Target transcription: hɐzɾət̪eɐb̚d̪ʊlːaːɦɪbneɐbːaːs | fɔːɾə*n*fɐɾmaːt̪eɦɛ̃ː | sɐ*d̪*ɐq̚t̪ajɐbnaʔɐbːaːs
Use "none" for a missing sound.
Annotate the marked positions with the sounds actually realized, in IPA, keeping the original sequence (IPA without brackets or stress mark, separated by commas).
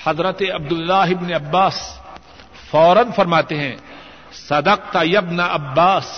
n, d̪